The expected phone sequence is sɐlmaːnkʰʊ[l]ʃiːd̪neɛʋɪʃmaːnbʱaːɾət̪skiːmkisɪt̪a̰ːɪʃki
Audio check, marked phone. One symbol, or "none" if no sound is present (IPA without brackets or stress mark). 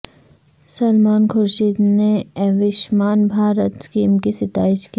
ɾ